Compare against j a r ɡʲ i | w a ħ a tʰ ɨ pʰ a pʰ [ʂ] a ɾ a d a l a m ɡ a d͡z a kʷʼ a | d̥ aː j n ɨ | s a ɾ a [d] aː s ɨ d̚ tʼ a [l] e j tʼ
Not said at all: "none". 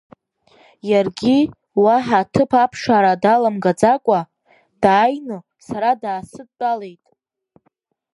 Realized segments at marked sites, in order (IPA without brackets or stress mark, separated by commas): ʂ, d, l